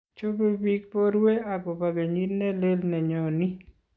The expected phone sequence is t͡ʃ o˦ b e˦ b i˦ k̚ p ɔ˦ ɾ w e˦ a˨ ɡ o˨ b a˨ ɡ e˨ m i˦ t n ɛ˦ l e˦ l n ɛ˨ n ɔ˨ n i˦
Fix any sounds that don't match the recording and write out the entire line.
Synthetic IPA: t͡ʃ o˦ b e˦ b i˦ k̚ p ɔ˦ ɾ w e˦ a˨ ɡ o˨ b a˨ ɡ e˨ ɲ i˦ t n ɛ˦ l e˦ l n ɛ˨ ɲ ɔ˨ n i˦